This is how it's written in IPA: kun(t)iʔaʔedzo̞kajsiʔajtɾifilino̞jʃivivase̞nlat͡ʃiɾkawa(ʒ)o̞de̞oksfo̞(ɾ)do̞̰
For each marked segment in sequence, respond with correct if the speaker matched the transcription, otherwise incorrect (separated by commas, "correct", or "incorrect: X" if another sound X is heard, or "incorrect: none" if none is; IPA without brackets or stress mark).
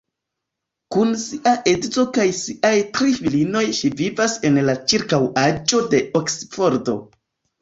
incorrect: s, incorrect: d͡ʒ, correct